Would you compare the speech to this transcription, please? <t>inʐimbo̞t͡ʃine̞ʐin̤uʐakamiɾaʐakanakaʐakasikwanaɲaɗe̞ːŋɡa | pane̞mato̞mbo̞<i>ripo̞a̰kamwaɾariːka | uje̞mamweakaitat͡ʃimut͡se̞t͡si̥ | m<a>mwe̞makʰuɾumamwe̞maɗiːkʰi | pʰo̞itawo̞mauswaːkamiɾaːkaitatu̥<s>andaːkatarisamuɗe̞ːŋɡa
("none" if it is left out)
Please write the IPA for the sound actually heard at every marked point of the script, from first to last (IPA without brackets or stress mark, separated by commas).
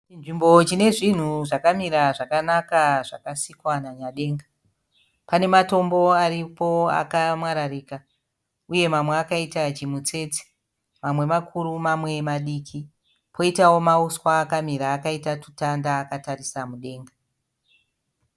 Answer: t͡ʃ, a, a, t